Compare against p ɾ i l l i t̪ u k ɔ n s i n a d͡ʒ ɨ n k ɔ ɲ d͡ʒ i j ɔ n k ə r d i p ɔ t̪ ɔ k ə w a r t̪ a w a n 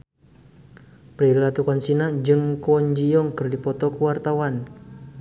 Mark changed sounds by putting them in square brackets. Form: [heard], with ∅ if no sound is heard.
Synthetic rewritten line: p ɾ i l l [a] t̪ u k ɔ n s i n a d͡ʒ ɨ [ŋ] k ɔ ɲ d͡ʒ i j ɔ [ŋ] k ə r d i p ɔ t̪ ɔ k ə w a r t̪ a w a n